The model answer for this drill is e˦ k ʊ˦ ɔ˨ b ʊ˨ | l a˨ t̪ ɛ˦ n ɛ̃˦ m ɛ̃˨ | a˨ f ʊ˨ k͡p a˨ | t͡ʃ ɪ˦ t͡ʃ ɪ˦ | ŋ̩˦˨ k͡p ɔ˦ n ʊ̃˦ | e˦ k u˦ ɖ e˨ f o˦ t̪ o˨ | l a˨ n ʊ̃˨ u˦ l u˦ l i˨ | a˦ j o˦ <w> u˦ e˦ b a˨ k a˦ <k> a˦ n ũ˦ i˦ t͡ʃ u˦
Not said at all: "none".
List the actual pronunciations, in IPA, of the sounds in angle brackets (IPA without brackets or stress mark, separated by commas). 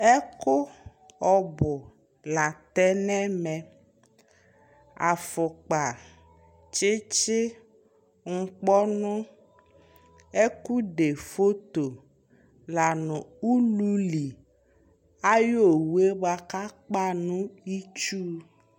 w, k͡p